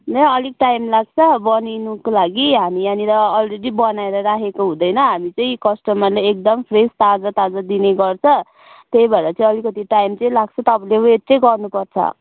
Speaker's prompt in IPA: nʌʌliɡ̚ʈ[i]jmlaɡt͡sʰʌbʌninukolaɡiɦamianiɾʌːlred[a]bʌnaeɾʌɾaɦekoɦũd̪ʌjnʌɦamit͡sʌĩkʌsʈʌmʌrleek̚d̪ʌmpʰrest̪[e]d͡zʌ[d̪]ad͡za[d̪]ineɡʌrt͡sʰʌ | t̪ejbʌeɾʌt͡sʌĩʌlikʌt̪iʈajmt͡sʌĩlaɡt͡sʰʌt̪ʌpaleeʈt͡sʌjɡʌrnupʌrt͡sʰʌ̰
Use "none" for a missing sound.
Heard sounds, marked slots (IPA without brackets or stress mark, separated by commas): a, i, a, t̪, d̪